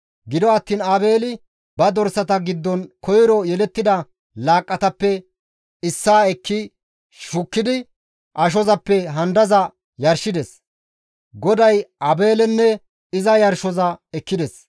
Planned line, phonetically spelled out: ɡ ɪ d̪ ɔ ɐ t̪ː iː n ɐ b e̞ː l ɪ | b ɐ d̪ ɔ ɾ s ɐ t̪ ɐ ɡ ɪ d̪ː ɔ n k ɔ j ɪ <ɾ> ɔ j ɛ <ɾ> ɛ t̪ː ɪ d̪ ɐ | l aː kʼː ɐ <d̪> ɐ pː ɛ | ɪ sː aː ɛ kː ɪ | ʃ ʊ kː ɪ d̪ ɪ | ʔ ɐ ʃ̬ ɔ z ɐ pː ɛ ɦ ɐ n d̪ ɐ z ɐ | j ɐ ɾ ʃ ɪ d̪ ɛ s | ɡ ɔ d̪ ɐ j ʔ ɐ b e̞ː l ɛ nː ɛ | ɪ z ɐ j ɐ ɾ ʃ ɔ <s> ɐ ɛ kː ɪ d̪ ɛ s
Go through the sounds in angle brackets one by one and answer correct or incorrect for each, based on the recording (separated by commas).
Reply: correct, incorrect, incorrect, incorrect